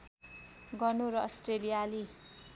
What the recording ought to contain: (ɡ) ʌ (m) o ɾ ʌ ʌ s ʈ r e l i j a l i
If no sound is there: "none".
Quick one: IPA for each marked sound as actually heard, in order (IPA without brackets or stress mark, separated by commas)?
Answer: ɡ, n